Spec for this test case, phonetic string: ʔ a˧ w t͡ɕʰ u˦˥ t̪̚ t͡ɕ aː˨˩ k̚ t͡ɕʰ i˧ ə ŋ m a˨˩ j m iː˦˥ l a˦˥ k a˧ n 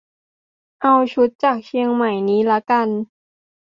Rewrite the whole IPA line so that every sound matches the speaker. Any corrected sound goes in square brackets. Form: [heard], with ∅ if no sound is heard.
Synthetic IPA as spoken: ʔ a˧ w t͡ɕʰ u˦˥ t̪̚ t͡ɕ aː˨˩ k̚ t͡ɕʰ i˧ ə ŋ m a˨˩ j [n] iː˦˥ l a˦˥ k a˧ n